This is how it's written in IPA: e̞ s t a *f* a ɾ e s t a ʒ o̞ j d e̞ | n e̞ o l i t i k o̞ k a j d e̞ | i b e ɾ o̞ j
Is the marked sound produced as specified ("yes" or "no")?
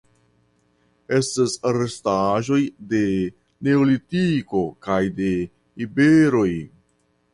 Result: no